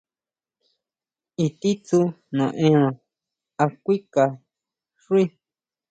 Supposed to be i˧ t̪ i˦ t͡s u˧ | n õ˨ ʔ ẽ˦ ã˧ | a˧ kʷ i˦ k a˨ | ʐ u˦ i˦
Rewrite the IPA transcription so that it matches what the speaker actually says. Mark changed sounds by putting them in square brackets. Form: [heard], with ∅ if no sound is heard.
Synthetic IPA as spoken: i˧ t̪ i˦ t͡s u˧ | n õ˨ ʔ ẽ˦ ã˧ | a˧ kʷ i˦ k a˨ | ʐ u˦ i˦